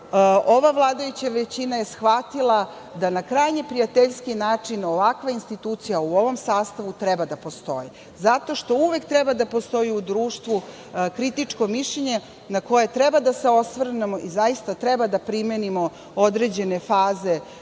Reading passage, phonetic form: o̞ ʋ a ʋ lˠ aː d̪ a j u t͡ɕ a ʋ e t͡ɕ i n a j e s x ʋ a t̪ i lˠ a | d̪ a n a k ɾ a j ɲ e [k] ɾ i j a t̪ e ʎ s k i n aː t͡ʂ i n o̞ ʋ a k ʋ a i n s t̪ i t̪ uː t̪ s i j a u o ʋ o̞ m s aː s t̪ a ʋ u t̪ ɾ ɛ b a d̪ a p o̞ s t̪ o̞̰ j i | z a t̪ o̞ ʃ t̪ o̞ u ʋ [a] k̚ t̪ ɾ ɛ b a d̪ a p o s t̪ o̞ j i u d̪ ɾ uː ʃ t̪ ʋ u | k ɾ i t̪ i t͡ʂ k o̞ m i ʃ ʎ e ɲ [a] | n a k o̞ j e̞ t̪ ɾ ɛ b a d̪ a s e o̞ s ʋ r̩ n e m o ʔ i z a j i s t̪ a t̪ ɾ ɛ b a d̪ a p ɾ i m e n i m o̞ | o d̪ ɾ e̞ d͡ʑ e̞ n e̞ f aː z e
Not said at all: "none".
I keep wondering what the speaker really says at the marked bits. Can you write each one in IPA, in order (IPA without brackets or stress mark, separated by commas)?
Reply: p, e, e